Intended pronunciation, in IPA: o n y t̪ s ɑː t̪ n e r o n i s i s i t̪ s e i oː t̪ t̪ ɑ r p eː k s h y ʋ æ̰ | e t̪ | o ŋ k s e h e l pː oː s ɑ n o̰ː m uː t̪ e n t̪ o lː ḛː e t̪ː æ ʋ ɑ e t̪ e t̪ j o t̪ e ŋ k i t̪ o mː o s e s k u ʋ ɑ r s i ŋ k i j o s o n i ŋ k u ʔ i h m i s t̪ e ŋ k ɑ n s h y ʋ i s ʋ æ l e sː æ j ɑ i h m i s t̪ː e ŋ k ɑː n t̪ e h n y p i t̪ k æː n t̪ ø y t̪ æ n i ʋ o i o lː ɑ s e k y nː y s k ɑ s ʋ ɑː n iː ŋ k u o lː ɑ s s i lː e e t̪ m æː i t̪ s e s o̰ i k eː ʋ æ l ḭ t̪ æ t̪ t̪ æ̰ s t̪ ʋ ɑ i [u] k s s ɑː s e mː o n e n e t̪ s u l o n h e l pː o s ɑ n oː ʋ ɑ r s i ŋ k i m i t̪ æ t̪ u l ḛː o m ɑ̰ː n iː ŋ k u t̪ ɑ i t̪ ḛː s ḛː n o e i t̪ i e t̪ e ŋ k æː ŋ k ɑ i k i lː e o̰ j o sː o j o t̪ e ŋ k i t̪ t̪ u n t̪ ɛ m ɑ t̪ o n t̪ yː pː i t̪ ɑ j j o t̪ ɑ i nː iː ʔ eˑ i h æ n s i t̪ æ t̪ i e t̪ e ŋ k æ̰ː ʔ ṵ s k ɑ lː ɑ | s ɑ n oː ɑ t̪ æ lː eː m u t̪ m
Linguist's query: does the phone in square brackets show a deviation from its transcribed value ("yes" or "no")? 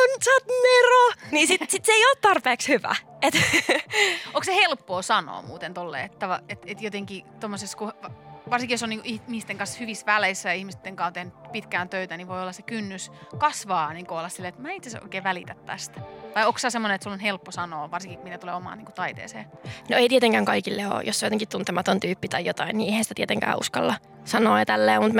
yes